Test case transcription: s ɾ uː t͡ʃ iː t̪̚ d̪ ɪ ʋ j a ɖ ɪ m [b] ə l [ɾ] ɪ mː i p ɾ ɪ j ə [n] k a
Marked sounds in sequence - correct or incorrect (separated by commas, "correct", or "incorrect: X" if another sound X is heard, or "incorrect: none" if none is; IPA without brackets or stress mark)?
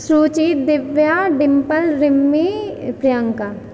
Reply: incorrect: p, correct, incorrect: ŋ